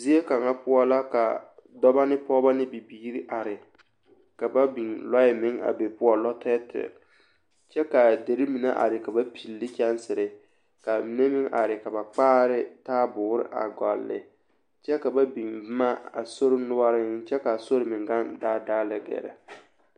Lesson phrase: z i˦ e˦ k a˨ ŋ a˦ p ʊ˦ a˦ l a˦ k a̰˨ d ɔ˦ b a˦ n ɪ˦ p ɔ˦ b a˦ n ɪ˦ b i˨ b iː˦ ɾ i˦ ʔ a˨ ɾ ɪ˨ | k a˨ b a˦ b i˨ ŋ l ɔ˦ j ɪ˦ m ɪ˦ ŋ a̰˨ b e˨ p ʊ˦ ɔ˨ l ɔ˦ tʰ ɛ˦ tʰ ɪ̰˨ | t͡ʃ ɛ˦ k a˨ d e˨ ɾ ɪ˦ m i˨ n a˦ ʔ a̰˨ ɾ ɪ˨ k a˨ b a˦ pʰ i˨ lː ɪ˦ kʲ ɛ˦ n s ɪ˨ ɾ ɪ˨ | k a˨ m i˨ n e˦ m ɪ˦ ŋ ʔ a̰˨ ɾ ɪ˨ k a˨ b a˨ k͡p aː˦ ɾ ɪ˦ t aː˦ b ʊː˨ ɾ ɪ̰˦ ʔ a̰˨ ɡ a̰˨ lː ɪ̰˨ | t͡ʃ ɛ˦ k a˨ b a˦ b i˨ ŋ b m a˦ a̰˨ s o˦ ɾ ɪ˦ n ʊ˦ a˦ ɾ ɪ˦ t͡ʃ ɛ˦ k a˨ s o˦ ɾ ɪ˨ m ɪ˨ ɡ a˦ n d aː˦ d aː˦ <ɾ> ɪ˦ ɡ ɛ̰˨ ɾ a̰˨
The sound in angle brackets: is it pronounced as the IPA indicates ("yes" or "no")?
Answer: no